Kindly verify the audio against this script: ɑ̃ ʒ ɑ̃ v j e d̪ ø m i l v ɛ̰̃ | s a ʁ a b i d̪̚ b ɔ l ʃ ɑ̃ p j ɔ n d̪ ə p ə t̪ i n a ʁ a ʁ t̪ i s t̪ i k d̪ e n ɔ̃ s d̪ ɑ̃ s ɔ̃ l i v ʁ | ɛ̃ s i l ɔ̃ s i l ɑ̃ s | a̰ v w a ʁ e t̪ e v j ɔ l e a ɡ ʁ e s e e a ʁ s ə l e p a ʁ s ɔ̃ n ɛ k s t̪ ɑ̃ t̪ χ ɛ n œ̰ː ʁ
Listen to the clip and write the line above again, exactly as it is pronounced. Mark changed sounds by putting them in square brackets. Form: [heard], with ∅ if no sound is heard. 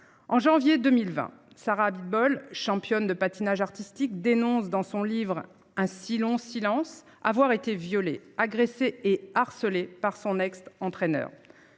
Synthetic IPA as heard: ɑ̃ ʒ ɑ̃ v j e d̪ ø m i l v ɛ̰̃ | s a ʁ a b i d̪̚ b ɔ l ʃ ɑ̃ p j ɔ n d̪ ə p [a] t̪ i n a [ʒ] a ʁ t̪ i s t̪ i k d̪ e n ɔ̃ s d̪ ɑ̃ s ɔ̃ l i v ʁ | ɛ̃ s i l ɔ̃ s i l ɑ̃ s | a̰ v w a ʁ e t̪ e v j ɔ l e a ɡ ʁ e s e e a ʁ s ə l e p a ʁ s ɔ̃ n ɛ k s t̪ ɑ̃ t̪ χ ɛ n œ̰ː ʁ